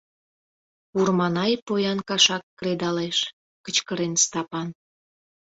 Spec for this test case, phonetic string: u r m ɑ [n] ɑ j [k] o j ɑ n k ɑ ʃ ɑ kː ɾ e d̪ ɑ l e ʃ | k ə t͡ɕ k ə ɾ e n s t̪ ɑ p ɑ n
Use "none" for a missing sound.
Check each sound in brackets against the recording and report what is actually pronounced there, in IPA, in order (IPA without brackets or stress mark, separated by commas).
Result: n, p